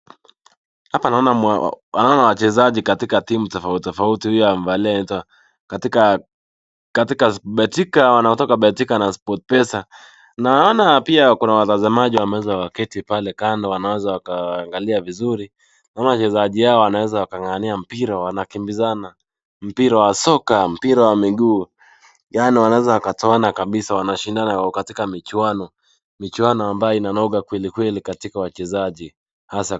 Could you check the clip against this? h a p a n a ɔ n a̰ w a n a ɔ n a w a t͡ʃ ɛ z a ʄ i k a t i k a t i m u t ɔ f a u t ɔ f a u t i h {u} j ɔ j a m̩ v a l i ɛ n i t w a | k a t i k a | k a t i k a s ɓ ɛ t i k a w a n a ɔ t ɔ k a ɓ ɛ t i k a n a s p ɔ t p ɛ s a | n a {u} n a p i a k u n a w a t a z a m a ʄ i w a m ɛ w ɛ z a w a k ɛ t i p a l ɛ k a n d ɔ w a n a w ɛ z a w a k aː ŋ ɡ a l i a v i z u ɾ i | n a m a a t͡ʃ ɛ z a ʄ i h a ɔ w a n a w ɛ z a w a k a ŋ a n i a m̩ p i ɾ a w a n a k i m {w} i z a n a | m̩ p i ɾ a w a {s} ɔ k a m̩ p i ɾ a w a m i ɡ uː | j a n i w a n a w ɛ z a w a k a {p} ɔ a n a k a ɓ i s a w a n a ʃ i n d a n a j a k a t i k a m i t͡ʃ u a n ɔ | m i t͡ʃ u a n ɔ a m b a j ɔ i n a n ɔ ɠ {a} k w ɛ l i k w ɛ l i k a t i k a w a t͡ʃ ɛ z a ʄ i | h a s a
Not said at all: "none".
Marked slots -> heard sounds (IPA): u, ɔ, b, s, t, a

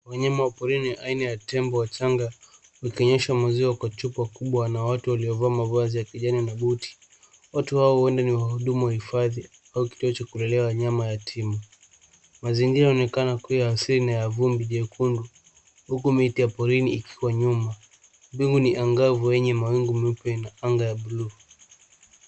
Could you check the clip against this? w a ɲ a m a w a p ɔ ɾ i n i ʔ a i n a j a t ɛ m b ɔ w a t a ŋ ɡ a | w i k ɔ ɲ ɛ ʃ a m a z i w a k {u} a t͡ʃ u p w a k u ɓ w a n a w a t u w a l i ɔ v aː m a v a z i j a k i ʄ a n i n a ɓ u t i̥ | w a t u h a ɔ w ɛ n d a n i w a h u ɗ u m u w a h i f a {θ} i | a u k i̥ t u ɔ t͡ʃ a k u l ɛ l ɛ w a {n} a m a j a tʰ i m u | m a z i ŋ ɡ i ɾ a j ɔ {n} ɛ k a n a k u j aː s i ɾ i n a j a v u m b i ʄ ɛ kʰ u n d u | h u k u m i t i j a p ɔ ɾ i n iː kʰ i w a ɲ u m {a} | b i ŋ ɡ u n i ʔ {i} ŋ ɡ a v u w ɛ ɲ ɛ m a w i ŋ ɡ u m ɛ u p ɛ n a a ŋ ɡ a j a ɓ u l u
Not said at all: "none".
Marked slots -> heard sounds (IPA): w, ð, ɲ, n, a, a

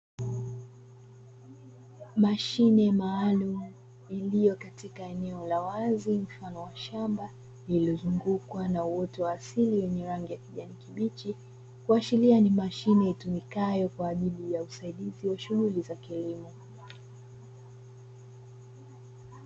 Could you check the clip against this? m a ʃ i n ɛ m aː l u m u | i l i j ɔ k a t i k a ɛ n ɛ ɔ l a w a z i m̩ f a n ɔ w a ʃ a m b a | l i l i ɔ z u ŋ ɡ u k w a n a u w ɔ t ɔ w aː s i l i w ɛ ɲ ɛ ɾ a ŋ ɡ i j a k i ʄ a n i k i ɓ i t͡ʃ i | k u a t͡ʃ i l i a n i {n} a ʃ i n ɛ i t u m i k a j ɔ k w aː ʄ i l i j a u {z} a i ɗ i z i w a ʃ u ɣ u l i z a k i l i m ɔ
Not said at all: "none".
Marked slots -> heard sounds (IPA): m, s

